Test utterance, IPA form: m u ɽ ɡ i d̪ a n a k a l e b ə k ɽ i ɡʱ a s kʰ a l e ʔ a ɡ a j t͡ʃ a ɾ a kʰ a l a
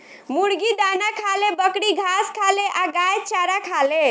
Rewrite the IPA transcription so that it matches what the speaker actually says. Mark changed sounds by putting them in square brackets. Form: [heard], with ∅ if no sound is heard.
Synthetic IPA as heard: m u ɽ ɡ i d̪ a n a [kʰ] a l e b ə k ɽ i ɡʱ a s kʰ a l e ʔ a ɡ a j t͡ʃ a ɾ a kʰ a l [e]